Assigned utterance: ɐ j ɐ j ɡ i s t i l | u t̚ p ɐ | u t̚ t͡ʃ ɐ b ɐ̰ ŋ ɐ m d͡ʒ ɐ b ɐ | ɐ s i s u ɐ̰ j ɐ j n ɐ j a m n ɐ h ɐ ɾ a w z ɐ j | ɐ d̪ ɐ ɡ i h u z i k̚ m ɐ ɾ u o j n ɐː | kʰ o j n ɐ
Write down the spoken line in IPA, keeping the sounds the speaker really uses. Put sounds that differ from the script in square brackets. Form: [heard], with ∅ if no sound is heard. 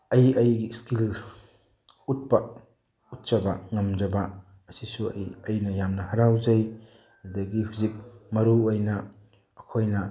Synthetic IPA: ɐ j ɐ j ɡ i s [k] i l | u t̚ p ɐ | u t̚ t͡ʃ ɐ b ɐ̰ ŋ ɐ m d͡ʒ ɐ b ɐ | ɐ s i s u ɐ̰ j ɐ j n ɐ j a m n ɐ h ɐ ɾ a w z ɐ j | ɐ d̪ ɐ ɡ i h u z i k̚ m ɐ ɾ u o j n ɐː | kʰ o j n ɐ

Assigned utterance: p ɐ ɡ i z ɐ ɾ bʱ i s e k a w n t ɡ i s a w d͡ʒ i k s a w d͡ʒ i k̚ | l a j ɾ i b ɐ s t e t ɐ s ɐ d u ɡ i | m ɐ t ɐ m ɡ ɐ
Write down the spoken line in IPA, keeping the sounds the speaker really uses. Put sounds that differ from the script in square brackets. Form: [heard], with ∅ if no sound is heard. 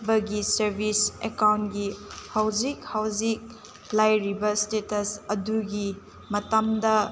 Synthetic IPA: [b] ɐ ɡ i [s] ɐ ɾ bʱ i s e k a w n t ɡ i [h] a w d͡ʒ i k [h] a w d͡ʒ i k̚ | l a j ɾ i b ɐ s t e t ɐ s ɐ d u ɡ i | m ɐ t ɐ m [d] ɐ

